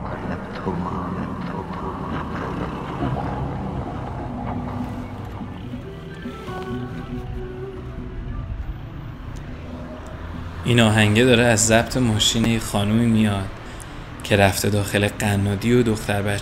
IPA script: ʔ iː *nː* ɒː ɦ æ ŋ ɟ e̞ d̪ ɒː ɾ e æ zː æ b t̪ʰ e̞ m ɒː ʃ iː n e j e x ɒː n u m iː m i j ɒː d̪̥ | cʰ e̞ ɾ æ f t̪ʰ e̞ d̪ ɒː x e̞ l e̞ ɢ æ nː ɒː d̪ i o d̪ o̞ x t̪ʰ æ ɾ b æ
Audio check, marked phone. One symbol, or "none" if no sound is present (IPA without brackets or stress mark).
n